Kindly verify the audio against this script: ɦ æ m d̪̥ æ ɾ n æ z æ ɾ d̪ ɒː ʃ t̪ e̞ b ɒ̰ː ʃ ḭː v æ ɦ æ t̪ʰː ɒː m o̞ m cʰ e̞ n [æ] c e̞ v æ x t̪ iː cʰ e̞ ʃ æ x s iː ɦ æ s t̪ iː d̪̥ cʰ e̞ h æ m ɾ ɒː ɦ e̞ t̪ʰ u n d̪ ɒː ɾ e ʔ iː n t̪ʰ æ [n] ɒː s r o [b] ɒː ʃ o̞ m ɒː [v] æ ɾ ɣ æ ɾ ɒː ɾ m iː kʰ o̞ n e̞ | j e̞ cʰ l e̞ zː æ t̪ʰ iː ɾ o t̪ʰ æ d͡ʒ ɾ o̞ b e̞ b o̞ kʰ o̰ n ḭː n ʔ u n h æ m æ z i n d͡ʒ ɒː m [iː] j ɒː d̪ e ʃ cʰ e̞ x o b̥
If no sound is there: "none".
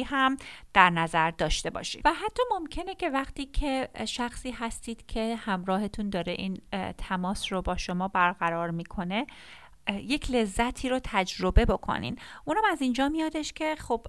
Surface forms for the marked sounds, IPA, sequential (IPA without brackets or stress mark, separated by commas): e, m, b, b, i